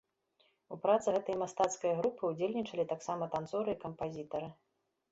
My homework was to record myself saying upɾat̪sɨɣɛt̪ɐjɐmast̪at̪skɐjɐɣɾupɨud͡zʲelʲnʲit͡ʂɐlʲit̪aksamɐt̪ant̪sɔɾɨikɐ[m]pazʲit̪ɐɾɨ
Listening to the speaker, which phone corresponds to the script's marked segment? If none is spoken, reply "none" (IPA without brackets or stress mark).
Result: m